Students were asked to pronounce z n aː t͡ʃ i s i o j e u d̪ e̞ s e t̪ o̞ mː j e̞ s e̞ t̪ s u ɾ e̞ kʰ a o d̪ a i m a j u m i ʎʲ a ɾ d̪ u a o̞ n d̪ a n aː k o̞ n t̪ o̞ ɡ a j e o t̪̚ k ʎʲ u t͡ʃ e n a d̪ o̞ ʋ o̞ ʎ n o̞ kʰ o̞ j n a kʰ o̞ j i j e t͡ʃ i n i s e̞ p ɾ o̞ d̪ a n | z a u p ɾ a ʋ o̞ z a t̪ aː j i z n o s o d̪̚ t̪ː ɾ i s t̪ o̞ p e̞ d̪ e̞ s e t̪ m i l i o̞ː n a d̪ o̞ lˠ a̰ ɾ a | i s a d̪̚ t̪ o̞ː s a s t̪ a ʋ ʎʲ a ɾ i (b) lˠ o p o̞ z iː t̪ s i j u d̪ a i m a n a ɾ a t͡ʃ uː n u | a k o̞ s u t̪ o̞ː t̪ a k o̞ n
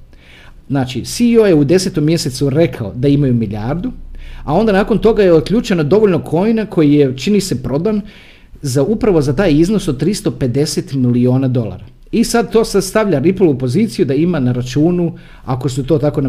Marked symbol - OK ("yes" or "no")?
no